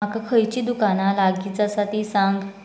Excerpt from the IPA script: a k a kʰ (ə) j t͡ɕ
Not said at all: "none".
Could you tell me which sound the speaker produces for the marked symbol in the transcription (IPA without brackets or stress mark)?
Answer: ə